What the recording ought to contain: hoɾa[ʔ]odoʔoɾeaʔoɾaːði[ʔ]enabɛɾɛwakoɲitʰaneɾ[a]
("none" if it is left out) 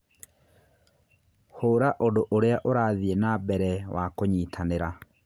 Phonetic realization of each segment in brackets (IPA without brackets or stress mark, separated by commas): ʔ, none, a